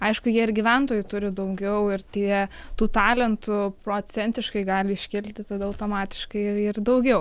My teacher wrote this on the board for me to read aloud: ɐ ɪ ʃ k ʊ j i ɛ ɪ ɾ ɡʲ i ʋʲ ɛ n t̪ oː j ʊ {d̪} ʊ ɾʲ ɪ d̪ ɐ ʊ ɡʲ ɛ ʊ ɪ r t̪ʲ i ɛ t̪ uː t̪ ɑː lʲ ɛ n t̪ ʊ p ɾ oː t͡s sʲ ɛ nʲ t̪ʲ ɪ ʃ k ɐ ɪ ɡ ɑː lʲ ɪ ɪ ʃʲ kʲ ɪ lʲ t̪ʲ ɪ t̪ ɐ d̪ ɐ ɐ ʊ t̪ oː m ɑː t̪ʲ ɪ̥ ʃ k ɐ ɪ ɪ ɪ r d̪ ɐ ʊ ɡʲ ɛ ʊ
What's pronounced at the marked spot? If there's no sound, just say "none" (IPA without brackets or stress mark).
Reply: t̪